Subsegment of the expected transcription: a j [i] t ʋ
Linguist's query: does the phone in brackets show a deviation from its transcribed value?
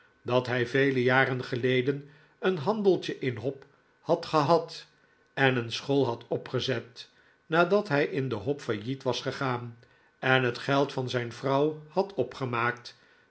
no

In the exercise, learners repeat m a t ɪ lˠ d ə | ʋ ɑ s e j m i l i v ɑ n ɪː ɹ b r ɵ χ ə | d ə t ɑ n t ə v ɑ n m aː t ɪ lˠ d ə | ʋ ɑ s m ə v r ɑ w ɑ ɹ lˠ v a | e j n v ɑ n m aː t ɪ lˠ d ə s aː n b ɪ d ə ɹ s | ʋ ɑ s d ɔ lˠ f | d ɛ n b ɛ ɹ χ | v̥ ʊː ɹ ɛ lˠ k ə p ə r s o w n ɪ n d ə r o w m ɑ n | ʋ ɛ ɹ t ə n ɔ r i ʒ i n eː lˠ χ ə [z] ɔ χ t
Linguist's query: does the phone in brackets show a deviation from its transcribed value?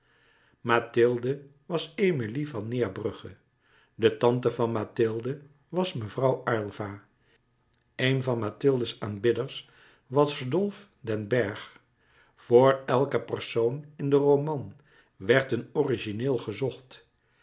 no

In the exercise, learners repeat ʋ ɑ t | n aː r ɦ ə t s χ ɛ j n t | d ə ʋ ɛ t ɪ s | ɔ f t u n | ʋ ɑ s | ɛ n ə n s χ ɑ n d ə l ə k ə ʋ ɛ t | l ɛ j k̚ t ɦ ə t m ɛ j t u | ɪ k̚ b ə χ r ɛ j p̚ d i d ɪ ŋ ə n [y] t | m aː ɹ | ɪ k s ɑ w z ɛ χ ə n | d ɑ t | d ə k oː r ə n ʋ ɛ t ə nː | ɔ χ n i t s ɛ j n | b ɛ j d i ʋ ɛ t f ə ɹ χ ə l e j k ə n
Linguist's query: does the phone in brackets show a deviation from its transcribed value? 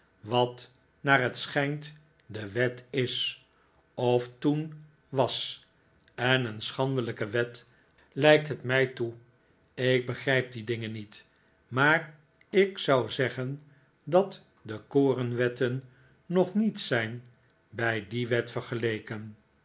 yes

